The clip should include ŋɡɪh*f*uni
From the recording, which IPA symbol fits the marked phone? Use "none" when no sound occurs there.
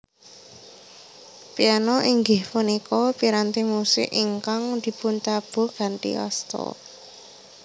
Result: f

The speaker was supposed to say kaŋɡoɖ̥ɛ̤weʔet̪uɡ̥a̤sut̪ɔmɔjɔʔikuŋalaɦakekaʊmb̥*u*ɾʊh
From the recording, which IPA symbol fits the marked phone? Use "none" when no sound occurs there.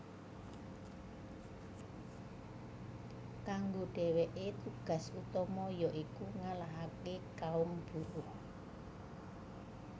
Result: u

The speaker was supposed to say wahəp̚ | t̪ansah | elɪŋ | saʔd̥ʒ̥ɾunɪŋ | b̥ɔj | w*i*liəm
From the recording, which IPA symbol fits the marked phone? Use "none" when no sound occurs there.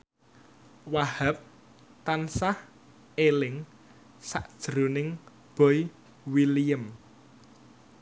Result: i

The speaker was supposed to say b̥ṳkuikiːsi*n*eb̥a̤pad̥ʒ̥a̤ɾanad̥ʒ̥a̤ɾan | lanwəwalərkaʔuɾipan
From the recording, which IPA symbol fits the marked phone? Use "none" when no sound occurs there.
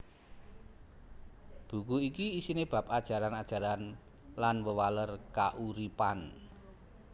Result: n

